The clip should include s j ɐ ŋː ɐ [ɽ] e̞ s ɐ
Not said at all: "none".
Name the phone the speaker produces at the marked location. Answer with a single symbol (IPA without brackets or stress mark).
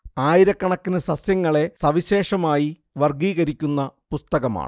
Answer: ɭ